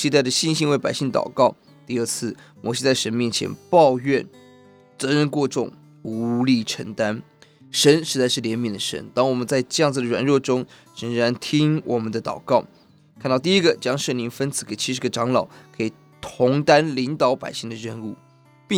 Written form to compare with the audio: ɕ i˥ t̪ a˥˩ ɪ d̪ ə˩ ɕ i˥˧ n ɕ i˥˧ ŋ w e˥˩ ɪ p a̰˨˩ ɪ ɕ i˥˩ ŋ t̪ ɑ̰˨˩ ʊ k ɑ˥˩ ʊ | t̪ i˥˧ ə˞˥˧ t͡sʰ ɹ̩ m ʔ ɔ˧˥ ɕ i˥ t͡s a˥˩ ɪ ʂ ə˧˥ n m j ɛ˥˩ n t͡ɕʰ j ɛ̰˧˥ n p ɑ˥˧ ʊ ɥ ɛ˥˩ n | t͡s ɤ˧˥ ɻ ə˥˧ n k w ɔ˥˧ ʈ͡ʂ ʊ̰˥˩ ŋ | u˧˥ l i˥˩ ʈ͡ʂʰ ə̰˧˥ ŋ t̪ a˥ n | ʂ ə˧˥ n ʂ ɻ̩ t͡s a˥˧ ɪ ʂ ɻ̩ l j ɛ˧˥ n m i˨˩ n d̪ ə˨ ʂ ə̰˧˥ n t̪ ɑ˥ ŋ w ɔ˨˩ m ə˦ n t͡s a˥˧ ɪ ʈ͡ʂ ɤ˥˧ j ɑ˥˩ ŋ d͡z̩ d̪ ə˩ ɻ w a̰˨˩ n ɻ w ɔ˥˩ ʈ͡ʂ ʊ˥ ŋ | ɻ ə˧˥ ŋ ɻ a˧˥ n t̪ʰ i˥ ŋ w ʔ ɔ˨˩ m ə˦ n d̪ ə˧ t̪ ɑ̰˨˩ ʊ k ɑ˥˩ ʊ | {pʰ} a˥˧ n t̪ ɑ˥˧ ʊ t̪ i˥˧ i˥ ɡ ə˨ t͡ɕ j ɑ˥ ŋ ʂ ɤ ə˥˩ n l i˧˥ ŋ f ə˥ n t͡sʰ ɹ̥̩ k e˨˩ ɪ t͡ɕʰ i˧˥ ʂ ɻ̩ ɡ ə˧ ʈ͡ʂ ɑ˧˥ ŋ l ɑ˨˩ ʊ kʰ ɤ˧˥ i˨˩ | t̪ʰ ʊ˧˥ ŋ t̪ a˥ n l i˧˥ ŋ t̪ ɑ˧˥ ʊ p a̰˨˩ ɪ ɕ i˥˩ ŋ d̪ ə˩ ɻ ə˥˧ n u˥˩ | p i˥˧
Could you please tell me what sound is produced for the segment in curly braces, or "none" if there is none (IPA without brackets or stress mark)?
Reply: kʰ